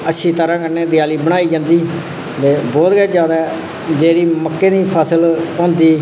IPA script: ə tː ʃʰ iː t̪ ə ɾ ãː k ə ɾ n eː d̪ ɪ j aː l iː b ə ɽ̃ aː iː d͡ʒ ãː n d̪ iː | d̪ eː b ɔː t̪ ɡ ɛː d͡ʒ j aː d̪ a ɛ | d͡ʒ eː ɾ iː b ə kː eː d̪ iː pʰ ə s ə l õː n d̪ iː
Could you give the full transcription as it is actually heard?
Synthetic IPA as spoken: ə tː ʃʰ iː t̪ ə ɾ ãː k ə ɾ n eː d̪ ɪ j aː l iː b ə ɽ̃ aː iː d͡ʒ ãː n d̪ iː | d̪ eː b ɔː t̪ ɡ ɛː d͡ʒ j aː d̪ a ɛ | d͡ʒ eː ɾ iː m ə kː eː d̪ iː pʰ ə s ə l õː n d̪ iː